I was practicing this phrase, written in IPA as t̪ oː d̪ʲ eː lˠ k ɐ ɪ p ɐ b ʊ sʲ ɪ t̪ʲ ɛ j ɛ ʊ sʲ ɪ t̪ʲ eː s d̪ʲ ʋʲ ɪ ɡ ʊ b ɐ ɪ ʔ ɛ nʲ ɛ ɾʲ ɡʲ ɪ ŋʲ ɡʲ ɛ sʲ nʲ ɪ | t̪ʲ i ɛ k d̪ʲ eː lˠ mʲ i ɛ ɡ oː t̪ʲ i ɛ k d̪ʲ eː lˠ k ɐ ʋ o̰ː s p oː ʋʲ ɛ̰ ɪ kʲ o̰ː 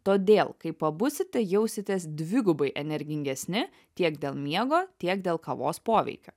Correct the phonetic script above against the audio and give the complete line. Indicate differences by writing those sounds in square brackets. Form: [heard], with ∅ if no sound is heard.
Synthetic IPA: t̪ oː d̪ʲ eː lˠ k ɐ ɪ p ɐ b ʊ sʲ ɪ t̪ʲ ɛ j ɛ ʊ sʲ ɪ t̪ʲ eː s d̪ʲ ʋʲ ɪ ɡ ʊ b ɐ ɪ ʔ ɛ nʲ ɛ ɾʲ ɡʲ ɪ ŋʲ ɡʲ ɛ sʲ nʲ ɪ | t̪ʲ i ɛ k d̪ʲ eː lˠ mʲ i ɛ ɡ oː t̪ʲ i ɛ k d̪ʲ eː lˠ k ɐ ʋ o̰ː s p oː ʋʲ ɛ̰ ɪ kʲ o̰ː